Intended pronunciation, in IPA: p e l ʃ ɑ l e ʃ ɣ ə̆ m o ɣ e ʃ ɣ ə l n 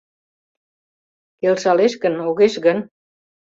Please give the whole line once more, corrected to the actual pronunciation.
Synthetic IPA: k e l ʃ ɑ l e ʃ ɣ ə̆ n o ɣ e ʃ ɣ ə n